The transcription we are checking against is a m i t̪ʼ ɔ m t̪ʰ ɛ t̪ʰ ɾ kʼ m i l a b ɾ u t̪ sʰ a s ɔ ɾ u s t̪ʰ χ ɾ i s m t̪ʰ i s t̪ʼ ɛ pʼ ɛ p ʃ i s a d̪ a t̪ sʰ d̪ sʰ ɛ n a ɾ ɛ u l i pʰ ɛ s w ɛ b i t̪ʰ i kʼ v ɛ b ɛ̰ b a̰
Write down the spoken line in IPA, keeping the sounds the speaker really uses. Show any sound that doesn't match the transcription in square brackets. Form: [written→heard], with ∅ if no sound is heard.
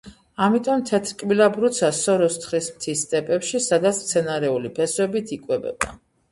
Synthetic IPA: a m i t̪ʼ ɔ m t̪ʰ ɛ t̪ʰ ɾ kʼ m i l a b ɾ u t̪ sʰ a s ɔ ɾ [u→ɔ] s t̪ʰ χ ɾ i s m t̪ʰ i s t̪ʼ ɛ pʼ ɛ p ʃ i s a d̪ a t̪ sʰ [d̪→t̪] sʰ ɛ n a ɾ ɛ u l i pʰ ɛ s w ɛ b i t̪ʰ i kʼ [v→w] ɛ b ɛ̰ b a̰